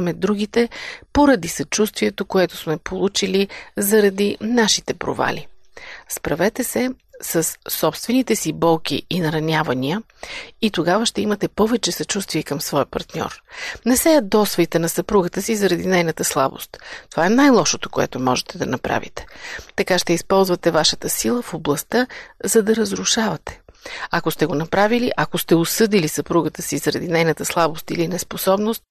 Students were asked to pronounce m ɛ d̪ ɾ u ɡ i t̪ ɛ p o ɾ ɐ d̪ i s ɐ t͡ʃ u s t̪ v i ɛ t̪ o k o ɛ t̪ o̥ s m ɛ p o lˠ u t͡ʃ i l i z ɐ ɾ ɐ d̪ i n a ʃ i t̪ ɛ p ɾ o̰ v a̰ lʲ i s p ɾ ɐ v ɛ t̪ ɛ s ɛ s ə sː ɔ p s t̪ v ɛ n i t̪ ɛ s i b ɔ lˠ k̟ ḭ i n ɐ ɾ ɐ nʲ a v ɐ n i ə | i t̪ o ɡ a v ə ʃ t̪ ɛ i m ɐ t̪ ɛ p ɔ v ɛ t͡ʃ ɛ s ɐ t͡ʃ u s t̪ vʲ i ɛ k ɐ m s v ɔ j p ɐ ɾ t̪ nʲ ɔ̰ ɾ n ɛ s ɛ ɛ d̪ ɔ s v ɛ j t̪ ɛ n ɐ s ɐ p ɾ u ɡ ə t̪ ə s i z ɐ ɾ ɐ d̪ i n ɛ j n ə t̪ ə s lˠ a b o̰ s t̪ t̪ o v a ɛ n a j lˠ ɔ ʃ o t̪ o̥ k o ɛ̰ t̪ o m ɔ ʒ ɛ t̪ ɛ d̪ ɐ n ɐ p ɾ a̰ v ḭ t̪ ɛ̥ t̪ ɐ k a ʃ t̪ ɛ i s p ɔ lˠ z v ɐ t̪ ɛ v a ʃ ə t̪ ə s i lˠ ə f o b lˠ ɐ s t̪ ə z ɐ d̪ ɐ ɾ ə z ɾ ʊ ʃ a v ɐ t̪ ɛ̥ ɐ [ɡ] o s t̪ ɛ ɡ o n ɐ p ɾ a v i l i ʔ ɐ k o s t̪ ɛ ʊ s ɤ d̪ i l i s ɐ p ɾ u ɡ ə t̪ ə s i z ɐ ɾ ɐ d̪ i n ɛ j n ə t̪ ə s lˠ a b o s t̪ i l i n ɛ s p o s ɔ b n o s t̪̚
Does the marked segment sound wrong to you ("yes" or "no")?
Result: yes